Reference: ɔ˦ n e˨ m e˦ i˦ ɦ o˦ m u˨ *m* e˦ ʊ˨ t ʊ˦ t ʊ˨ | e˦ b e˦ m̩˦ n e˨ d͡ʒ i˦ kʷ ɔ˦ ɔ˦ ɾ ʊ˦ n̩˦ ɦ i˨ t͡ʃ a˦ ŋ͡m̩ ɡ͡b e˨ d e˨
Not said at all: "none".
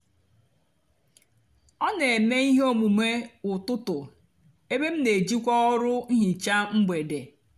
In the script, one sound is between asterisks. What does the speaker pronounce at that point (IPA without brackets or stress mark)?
m